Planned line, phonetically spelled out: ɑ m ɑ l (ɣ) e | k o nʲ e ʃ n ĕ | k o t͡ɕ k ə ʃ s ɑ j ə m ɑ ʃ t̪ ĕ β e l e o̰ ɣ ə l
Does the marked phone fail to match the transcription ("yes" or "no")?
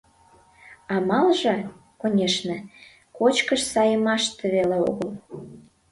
yes